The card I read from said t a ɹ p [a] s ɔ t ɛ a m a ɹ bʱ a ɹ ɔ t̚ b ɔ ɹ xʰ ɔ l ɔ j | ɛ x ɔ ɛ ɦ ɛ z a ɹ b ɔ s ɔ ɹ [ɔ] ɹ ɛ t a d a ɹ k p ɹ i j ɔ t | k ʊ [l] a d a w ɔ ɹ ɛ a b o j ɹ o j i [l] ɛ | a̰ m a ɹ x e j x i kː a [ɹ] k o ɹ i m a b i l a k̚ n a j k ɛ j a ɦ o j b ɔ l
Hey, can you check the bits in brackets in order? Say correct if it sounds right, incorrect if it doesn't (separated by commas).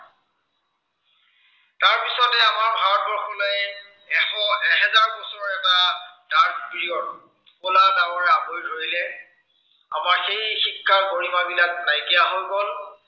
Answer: incorrect, correct, correct, correct, correct